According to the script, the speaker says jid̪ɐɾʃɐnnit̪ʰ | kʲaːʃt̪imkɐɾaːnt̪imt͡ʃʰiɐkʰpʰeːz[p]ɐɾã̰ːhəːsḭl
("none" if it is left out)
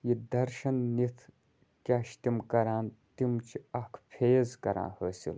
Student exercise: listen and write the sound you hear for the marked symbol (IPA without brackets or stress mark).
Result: k